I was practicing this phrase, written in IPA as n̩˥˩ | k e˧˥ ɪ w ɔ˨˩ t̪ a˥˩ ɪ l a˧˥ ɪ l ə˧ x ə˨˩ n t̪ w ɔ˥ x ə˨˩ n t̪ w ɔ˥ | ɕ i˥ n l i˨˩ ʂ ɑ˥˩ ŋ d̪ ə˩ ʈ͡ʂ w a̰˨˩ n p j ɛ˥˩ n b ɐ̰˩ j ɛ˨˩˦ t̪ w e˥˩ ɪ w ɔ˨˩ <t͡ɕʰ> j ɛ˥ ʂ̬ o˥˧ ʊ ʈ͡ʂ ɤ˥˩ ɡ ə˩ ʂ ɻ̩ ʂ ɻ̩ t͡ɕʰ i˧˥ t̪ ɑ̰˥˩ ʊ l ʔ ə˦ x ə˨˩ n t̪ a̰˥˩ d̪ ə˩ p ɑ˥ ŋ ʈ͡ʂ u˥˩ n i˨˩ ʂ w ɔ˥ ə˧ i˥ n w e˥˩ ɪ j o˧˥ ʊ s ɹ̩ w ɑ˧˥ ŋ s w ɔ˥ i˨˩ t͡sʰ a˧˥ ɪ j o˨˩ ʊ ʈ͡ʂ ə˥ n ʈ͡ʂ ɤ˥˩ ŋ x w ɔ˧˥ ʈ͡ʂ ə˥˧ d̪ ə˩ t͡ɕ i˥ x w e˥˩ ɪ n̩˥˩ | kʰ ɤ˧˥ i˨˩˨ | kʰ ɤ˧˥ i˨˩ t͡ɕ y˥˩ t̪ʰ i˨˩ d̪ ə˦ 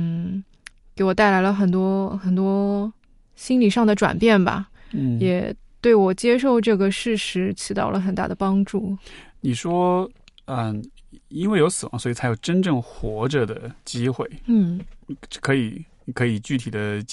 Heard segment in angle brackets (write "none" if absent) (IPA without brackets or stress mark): t͡ɕ